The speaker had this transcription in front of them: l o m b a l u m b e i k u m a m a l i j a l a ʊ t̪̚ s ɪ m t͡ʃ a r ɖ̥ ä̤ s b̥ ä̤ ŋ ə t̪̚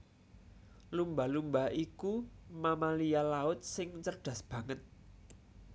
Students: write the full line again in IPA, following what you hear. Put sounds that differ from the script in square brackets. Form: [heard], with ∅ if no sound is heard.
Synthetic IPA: l [u] m b a l u m b [a] i k u m a m a l i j a l a ʊ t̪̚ s ɪ [ŋ] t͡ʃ [ə] r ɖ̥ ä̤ s b̥ ä̤ ŋ ə t̪̚